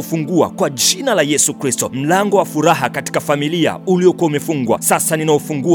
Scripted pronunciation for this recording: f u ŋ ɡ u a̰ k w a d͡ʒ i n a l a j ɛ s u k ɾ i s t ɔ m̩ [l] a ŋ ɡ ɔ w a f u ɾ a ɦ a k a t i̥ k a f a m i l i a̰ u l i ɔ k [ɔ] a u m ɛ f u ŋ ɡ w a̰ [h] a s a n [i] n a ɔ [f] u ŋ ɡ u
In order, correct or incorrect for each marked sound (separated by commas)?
correct, incorrect, incorrect, correct, correct